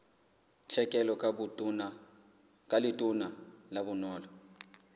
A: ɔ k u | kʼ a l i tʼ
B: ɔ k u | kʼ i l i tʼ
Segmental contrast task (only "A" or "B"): A